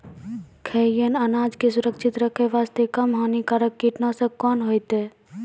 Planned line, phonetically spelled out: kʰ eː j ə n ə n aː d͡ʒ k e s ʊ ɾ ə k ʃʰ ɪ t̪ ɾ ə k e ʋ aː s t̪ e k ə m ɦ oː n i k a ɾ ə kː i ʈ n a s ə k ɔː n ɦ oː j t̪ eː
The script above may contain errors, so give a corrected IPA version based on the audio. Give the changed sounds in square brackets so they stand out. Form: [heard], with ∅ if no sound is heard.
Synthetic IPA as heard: kʰ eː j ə n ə n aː d͡ʒ k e s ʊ ɾ ə k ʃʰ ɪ t̪ ɾ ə [kʰ] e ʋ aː s t̪ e k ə m ɦ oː n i k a ɾ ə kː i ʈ n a s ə k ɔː n ɦ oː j t̪ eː